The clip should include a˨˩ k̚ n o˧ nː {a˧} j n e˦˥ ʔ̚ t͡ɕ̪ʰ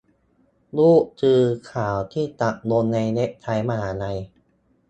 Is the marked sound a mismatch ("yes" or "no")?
no